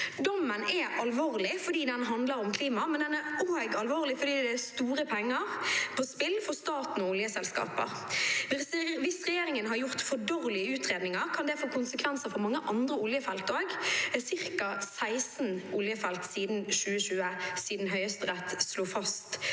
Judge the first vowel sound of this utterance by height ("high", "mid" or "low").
mid